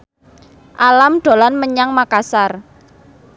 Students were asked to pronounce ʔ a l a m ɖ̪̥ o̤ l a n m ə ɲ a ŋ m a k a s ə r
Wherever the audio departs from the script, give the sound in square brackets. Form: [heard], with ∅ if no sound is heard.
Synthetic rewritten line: ʔ a l a m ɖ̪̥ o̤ l a n m ə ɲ a ŋ m a k a s [a] r